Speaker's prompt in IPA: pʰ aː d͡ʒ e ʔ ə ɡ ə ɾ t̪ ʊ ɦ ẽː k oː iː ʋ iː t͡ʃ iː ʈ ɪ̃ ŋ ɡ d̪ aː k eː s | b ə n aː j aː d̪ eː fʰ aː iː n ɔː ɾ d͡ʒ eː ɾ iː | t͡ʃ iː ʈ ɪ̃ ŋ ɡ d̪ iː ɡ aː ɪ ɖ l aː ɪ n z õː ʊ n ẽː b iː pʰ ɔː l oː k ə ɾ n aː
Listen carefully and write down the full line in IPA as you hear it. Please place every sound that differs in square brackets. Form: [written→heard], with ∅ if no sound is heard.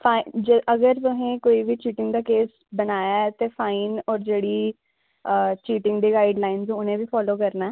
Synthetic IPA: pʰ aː d͡ʒ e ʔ ə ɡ ə ɾ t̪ ʊ ɦ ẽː k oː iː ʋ iː t͡ʃ iː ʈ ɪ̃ ŋ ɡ d̪ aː k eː s | b ə n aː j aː [d̪→t̪] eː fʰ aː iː n ɔː ɾ d͡ʒ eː [ɾ→ɽ] iː | t͡ʃ iː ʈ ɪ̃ ŋ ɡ d̪ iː ɡ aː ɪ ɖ l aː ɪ n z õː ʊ n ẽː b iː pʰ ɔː l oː k ə ɾ n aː

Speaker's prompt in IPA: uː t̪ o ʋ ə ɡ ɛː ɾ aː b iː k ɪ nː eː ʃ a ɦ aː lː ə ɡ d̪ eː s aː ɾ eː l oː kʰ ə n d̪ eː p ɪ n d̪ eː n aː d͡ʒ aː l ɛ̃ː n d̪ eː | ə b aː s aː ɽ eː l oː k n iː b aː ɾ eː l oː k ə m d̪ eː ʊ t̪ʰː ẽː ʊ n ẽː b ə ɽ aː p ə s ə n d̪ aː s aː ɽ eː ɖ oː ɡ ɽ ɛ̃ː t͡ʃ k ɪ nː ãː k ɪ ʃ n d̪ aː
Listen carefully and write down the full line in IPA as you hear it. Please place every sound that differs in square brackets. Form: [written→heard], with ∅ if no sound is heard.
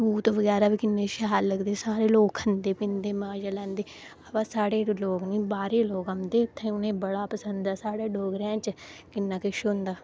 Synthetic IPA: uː t̪ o ʋ ə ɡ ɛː ɾ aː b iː k ɪ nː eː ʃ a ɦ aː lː ə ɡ d̪ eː s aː ɾ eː l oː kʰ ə n d̪ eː p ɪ n d̪ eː [n→m] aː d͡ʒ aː l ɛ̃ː n d̪ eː | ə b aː s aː ɽ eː l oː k n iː b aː ɾ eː l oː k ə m d̪ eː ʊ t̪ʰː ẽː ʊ n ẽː b ə ɽ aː p ə s ə n d̪ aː s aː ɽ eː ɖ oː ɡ [ɽ→ɾ] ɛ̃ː t͡ʃ k ɪ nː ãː k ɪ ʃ n d̪ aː

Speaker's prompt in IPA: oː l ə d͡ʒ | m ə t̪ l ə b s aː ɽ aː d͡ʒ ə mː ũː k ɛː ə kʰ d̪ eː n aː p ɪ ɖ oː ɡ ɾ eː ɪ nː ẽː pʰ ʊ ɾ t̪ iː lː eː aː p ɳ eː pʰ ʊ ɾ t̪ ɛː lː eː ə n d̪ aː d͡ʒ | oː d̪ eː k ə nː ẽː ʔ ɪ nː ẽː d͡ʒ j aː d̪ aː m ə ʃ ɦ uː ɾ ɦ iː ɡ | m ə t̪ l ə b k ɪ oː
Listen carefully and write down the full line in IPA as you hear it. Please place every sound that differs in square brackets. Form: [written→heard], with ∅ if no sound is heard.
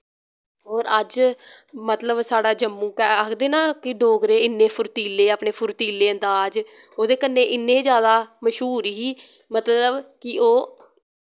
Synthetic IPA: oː [l→ɾ] ə d͡ʒ | m ə t̪ l ə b s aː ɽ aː d͡ʒ ə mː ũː k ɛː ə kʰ d̪ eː n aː [p→k] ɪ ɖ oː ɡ ɾ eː ɪ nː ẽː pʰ ʊ ɾ t̪ iː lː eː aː p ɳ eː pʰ ʊ ɾ t̪ [ɛː→iː] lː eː ə n d̪ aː d͡ʒ | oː d̪ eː k ə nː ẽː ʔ ɪ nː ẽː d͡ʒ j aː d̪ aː m ə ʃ ɦ uː ɾ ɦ iː [ɡ→∅] | m ə t̪ l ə b k ɪ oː

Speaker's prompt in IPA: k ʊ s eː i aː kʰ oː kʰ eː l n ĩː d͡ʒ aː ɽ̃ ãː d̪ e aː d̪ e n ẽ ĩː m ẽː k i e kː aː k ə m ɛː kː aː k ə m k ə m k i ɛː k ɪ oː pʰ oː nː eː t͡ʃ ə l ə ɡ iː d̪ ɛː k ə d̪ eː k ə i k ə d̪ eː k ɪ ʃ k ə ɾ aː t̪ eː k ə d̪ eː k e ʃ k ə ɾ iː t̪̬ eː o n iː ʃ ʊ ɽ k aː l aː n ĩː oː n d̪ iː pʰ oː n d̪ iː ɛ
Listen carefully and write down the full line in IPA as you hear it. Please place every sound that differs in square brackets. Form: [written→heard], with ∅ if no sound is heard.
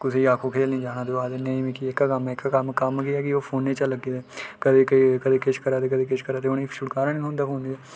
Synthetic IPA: k ʊ s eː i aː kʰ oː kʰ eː l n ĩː d͡ʒ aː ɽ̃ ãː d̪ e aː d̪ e n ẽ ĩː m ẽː k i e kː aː k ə m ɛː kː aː k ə m k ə m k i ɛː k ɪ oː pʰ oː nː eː t͡ʃ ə l ə ɡ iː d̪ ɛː k ə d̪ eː k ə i k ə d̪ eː k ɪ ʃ k ə ɾ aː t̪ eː k ə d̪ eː k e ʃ k ə ɾ [iː→aː] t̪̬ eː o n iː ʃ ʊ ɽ k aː [l→ɾ] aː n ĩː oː n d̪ [iː→aː] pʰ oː n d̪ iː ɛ

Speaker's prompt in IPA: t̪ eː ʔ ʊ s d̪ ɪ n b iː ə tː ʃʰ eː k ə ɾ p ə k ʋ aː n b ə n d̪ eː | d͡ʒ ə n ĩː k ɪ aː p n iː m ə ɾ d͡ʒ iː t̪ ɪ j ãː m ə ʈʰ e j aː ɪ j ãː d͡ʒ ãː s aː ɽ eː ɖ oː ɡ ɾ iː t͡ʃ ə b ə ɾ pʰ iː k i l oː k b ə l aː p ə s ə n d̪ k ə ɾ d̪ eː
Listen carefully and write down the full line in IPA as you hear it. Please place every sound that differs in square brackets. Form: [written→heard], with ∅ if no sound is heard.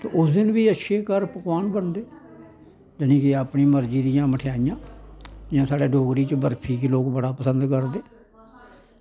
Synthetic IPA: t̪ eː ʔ ʊ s d̪ ɪ n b iː ə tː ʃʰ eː k ə ɾ p ə k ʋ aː n b ə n d̪ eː | d͡ʒ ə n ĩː k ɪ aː p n iː m ə ɾ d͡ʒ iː [t̪→d̪] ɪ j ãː m ə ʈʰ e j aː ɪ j ãː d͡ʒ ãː s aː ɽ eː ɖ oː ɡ ɾ iː t͡ʃ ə b ə ɾ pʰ iː k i l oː k b ə [l→ɽ] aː p ə s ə n d̪ k ə ɾ d̪ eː

